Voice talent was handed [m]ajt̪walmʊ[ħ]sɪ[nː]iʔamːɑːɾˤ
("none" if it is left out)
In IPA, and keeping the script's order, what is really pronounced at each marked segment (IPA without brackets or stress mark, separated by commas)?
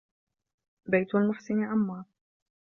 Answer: b, f, n